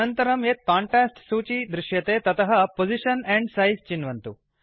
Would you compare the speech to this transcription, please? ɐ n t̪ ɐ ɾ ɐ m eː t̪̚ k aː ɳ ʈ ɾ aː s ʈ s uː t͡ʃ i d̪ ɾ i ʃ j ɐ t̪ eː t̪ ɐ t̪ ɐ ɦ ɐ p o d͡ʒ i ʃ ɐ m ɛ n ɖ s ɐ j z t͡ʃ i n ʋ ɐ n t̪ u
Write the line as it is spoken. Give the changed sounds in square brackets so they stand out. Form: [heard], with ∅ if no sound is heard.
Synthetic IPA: ɐ n t̪ ɐ ɾ ɐ m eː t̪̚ k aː ɳ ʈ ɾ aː s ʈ s uː t͡ʃ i d̪ ɾ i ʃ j ɐ t̪ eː t̪ ɐ t̪ ɐ ɦ ɐ p o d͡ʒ i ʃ ɐ [n] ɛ [ɳ] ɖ s ɐ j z t͡ʃ i n ʋ ɐ n t̪ u